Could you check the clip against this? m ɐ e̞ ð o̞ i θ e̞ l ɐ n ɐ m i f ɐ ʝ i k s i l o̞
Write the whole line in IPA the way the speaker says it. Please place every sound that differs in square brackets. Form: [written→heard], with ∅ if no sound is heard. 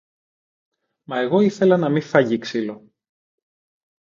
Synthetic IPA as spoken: m ɐ e̞ [ð→ɣ] o̞ i θ e̞ l ɐ n ɐ m i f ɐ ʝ i k s i l o̞